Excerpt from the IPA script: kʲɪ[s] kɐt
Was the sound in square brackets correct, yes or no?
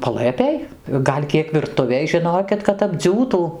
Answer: no